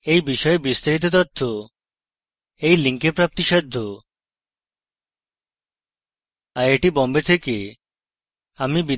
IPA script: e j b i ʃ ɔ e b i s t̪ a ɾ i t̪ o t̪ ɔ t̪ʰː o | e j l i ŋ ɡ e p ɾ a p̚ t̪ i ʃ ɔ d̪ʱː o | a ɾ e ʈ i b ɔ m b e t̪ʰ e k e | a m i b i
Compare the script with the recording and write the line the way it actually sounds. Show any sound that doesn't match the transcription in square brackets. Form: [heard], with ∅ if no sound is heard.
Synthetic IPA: e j b i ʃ ɔ e b i s t̪ a ɾ i t̪ o t̪ ɔ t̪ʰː o | e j l i ŋ [k] e p ɾ a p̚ t̪ i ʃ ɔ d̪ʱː o | a ɾ e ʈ i b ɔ m b e t̪ʰ e k e | a m i b i